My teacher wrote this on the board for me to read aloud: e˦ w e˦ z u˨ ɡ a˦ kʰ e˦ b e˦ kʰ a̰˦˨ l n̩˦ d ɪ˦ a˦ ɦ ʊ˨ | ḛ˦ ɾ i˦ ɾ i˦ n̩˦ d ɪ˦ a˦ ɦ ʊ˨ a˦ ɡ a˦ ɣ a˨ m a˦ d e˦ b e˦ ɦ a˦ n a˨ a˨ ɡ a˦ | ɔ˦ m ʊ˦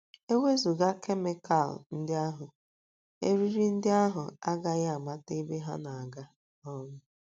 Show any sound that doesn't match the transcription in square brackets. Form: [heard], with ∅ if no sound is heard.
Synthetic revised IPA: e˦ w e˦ z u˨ ɡ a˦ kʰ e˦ [m] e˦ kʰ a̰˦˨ l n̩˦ d ɪ˦ a˦ ɦ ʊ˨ | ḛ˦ ɾ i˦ ɾ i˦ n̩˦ d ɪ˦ a˦ ɦ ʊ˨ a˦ ɡ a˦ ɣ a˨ m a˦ [t] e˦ b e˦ ɦ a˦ n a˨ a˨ ɡ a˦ | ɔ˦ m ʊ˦